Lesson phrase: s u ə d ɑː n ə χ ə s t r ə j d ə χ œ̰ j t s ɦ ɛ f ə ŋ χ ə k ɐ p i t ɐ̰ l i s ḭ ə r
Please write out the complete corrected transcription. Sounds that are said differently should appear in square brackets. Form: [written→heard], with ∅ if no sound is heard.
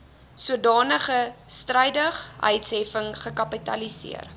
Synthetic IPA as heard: s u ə d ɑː n ə χ ə s t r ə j d ə χ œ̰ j t s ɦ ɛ f ə ŋ χ ə k ɐ p i t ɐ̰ l i s ḭ ə r